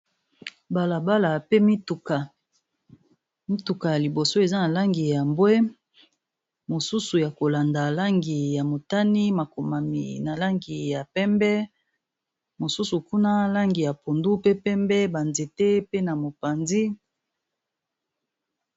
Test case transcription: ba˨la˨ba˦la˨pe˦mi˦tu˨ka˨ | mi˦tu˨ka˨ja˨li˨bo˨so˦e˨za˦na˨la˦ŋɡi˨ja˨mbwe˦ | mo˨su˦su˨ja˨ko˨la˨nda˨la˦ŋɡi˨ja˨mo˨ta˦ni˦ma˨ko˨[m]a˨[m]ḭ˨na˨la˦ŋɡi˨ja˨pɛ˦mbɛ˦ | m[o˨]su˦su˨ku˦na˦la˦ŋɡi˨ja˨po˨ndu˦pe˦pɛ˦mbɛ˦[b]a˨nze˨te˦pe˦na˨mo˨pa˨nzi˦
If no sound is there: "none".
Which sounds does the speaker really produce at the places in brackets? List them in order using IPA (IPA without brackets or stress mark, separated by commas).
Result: m, m, o˨, b